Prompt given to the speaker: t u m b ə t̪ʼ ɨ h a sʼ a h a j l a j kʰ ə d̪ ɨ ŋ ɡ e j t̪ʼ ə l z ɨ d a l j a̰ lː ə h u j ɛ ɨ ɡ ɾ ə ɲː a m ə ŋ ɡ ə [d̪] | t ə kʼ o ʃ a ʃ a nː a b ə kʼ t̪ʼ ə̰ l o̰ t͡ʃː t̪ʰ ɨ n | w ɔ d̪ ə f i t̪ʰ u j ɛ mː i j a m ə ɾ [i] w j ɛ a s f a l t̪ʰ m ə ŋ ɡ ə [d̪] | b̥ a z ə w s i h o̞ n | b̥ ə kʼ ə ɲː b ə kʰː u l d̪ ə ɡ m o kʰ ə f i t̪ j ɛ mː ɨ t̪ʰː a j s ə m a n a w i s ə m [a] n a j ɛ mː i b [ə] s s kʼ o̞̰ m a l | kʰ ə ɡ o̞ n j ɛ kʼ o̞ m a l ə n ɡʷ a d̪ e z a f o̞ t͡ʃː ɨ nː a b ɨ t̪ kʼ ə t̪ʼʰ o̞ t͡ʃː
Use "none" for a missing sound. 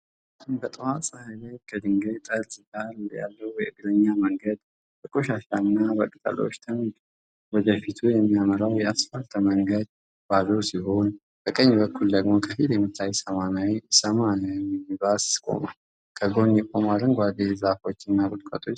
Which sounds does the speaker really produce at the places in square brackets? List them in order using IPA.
d̪, a, d̪, a, a

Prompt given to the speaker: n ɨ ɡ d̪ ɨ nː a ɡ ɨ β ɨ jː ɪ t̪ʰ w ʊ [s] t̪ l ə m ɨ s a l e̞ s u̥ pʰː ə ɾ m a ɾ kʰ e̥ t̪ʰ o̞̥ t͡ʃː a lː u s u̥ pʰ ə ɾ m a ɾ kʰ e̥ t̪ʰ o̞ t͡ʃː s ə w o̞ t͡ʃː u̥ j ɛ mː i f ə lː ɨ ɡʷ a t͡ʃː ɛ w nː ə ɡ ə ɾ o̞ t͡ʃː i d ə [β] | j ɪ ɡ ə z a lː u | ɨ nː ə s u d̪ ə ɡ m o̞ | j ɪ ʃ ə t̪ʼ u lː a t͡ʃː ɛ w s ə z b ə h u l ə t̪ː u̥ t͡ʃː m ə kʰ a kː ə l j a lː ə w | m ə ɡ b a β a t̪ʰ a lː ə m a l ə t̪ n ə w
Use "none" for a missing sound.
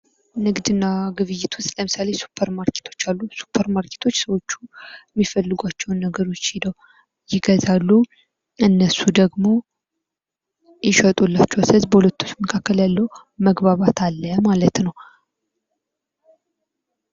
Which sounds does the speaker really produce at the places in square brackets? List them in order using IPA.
s, w

